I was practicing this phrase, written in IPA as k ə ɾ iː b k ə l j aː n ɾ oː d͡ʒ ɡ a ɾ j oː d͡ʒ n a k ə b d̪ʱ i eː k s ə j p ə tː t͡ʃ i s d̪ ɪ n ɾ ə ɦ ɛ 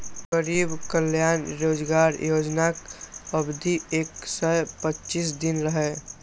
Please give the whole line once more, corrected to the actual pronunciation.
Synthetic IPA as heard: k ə ɾ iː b k ə l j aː n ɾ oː d͡ʒ ɡ a ɾ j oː d͡ʒ n a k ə b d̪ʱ i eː k s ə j p ə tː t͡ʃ i s d̪ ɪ n ɾ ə ɦ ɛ